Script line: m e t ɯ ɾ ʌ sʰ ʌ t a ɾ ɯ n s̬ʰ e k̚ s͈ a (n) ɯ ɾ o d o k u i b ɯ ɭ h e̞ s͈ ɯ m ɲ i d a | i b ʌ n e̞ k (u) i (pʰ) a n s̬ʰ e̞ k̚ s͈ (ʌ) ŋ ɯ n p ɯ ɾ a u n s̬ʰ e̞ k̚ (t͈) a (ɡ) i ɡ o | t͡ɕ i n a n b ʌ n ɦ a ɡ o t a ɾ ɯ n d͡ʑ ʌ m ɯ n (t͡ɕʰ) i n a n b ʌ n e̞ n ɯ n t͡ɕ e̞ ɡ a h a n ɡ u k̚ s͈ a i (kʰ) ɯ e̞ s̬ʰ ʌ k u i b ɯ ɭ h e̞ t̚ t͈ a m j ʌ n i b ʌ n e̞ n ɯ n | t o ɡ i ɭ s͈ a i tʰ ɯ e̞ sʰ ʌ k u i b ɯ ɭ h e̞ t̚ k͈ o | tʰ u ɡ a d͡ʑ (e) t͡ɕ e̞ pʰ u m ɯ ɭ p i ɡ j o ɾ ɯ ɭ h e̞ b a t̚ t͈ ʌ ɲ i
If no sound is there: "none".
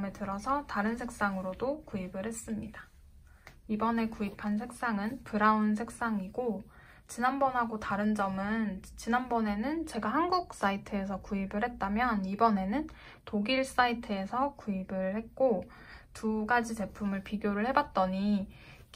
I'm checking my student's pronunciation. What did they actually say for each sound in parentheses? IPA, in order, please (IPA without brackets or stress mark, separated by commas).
ŋ, u, pʰ, a, s͈, ŋ, t͡ɕ, tʰ, i